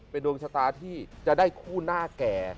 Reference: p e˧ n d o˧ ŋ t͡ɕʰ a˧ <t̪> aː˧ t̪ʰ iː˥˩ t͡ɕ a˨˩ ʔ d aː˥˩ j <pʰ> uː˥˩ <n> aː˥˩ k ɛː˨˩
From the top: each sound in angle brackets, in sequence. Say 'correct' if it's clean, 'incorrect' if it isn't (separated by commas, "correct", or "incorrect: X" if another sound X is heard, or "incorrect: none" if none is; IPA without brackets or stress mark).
correct, incorrect: kʰ, correct